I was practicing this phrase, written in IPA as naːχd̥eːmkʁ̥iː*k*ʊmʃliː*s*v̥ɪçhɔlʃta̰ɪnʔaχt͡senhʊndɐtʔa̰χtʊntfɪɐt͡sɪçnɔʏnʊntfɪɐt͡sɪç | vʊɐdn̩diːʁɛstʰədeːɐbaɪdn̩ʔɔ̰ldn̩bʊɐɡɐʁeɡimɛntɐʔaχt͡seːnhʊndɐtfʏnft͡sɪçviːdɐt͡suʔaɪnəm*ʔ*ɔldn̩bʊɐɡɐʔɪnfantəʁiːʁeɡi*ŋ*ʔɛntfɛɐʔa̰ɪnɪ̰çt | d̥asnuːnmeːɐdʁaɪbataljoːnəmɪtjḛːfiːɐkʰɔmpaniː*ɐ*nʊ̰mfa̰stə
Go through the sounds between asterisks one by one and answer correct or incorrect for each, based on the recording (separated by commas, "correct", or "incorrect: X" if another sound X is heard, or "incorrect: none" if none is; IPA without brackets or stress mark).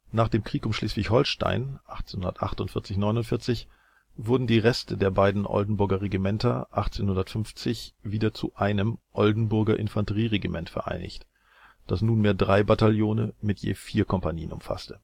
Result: correct, correct, correct, incorrect: m, incorrect: ə